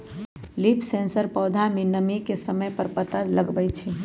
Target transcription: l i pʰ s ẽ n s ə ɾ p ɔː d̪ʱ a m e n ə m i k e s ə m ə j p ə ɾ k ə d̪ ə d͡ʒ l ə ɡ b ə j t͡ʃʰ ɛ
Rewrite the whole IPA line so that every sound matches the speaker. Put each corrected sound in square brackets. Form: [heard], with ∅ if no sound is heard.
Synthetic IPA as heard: l i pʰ s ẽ n s ə ɾ p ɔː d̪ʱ a m e n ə m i k e s ə m ə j p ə ɾ [p] ə [t̪] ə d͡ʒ l ə ɡ b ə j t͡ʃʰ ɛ